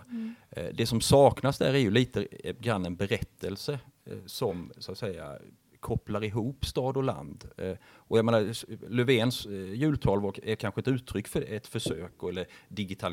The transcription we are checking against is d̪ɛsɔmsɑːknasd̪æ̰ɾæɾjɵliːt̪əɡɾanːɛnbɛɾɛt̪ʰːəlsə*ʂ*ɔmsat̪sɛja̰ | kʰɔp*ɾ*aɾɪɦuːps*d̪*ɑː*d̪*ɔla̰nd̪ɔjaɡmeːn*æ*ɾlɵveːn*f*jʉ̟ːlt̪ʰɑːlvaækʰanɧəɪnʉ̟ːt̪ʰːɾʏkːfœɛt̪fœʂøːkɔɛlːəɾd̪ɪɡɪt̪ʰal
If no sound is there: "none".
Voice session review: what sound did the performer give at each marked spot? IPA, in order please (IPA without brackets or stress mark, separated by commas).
s, l, t̪, d̪, a, s